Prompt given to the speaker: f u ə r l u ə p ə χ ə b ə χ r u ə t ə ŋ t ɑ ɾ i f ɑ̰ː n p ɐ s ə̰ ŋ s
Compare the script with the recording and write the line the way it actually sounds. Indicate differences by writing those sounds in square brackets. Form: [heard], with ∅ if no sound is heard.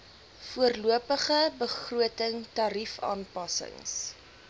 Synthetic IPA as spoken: f u ə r l u ə p ə χ ə b ə χ r u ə t ə ŋ t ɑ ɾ i f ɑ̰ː n p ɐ s ə̰ ŋ s